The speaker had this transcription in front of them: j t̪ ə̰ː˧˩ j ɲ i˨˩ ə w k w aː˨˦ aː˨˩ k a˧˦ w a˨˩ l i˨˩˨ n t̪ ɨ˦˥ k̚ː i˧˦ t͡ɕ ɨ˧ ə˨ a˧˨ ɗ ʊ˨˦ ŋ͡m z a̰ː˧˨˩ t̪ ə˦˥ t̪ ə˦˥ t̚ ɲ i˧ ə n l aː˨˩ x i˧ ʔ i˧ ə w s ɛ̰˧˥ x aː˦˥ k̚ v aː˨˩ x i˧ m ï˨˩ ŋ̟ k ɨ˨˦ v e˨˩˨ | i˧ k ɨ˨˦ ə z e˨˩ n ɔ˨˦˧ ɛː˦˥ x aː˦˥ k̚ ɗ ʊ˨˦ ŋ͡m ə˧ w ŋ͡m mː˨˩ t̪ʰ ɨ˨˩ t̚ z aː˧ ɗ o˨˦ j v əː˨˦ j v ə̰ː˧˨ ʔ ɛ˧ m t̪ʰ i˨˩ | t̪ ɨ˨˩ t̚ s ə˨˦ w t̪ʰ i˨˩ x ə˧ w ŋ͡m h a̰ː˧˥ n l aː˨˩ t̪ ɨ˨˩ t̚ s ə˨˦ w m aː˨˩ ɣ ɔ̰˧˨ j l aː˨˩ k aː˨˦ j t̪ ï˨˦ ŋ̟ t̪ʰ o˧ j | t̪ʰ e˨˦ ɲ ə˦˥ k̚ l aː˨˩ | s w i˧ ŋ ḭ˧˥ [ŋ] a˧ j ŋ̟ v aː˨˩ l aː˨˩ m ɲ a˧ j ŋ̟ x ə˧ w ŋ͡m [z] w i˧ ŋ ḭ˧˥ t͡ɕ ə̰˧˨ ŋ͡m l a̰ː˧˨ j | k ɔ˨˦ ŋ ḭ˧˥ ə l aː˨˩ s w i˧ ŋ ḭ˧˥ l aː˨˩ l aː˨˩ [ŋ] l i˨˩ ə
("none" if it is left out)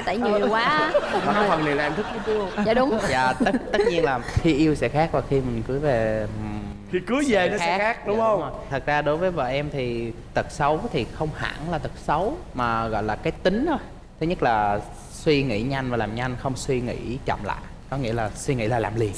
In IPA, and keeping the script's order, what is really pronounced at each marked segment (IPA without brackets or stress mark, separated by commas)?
ɲ, s, m